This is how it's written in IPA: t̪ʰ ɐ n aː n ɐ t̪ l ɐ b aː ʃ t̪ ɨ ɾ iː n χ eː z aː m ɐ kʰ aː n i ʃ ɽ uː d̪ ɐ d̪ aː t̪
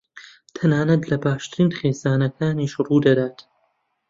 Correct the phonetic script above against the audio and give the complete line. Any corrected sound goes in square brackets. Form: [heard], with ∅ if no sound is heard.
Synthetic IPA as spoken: t̪ʰ ɐ n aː n ɐ t̪ l ɐ b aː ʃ t̪ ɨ ɾ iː n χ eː z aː [n] ɐ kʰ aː n i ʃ [r] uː d̪ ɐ d̪ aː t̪